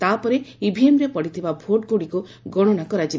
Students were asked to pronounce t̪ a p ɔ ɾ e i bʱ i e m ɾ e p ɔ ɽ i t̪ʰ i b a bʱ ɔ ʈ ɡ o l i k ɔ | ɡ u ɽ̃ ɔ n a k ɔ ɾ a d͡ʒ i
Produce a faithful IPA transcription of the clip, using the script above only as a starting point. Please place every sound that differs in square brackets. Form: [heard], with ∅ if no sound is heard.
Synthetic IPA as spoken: t̪ a p ɔ ɾ e i bʱ i e m ɾ e p ɔ ɽ i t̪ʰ i b a bʱ [o] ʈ ɡ o [ɽ] i k [u] | ɡ [ɔ] ɽ̃ ɔ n a k ɔ ɾ a d͡ʒ i